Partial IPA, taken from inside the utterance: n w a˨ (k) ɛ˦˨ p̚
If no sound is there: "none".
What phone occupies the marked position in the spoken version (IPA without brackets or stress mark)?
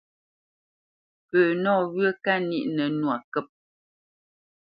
k